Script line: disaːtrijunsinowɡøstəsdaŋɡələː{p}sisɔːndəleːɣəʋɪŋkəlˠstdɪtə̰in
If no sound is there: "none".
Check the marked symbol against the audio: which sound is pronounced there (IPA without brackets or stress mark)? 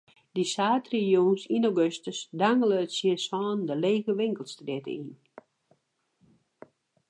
t